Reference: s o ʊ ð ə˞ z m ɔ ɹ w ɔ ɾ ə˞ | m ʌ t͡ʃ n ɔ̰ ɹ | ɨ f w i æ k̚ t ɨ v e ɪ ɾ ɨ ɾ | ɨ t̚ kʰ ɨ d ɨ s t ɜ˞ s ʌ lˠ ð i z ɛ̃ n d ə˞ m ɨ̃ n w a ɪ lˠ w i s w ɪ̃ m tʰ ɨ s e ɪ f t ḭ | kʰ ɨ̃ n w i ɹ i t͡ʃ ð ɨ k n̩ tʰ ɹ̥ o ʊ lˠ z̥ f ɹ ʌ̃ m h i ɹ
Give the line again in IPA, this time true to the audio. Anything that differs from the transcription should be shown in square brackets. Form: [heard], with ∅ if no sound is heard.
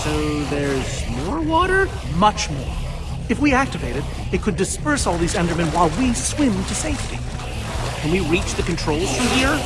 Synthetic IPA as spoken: s o ʊ ð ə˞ z m ɔ ɹ w ɔ ɾ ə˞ | m ʌ t͡ʃ [m] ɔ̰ ɹ | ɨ f w i æ k̚ t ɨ v e ɪ ɾ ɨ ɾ | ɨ t̚ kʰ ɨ d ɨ s [p] ɜ˞ s [ɔ] lˠ ð i z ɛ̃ n d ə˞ m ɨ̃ n w a ɪ lˠ w i s w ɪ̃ m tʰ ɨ s e ɪ f t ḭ | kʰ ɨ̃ n w i ɹ i t͡ʃ ð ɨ k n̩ tʰ ɹ̥ o ʊ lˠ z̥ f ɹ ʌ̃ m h i ɹ